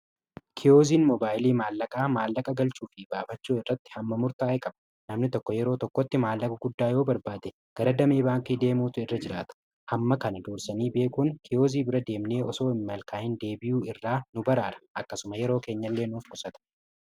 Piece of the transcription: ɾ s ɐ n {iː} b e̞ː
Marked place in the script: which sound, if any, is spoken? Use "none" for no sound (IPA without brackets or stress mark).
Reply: iː